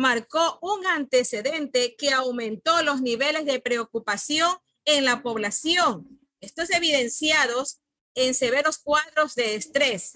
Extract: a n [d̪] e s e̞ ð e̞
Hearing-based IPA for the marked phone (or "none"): t̪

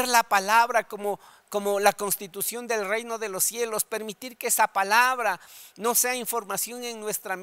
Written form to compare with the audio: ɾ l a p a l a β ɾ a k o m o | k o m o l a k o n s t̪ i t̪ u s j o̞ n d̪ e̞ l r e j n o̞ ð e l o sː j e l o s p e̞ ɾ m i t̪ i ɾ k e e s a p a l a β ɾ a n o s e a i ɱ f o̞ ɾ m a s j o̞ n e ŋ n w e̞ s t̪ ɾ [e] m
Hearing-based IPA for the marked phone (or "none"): a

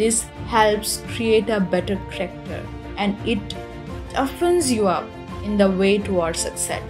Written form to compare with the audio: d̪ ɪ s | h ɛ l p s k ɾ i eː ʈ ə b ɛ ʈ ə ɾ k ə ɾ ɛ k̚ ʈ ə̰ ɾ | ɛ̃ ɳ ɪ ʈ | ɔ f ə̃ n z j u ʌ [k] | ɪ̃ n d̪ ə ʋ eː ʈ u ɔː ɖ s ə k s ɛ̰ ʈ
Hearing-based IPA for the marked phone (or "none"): p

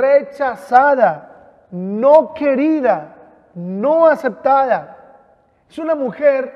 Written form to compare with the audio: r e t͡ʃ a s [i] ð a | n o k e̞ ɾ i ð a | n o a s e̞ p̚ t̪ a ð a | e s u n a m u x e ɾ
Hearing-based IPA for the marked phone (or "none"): a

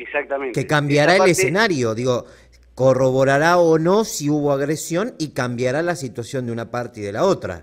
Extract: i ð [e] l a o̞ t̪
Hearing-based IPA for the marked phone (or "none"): e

